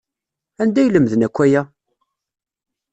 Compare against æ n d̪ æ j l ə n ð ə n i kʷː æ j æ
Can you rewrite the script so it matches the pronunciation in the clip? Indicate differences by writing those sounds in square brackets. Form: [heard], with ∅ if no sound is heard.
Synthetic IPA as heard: æ n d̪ æ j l ə [m] ð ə n [æ] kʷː æ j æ

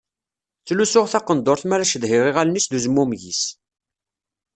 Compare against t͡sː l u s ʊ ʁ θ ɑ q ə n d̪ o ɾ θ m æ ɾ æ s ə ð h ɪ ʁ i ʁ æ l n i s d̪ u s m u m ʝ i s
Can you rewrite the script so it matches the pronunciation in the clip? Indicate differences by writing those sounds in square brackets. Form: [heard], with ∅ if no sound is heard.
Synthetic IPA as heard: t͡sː l u s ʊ ʁ θ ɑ q ə n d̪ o ɾ θ m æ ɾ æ [ʃ] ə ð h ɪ ʁ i ʁ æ l n i s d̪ u [z] m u m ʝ i s

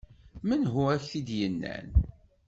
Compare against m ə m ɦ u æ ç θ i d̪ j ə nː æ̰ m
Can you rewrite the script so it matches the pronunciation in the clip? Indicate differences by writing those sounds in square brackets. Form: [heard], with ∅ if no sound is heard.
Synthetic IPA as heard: m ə [n] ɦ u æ ç θ i d̪ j ə nː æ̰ [n]

